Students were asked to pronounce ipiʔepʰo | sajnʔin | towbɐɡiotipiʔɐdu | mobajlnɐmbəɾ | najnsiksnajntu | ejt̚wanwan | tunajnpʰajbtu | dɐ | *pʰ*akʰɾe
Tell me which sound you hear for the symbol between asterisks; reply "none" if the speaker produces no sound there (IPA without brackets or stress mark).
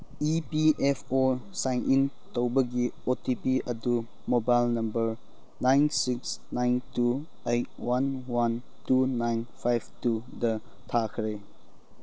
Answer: tʰ